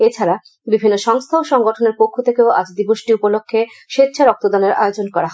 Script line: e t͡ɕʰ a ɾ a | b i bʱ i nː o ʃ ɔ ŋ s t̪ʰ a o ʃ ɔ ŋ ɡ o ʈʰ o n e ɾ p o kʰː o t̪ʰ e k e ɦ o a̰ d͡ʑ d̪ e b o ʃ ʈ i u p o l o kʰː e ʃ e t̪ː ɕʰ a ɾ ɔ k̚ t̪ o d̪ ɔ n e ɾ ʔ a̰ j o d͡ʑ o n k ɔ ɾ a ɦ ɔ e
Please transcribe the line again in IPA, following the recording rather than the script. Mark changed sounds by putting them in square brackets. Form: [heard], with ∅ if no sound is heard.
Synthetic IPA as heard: e t͡ɕʰ a ɾ a | b i bʱ i nː o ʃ ɔ ŋ s t̪ʰ a o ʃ ɔ ŋ ɡ o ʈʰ o n e ɾ p o kʰː o t̪ʰ e k e [∅] o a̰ d͡ʑ d̪ [i] b o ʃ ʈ i u p o l o kʰː e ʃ e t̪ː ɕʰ a ɾ ɔ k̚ t̪ o d̪ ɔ n e ɾ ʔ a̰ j o d͡ʑ o n k ɔ ɾ a ɦ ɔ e